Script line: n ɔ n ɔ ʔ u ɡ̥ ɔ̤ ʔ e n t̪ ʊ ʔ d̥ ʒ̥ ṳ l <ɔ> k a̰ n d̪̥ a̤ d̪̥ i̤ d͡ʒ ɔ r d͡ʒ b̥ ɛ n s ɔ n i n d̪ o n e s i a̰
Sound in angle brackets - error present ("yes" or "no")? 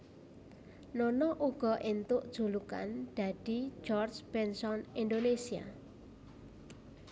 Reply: yes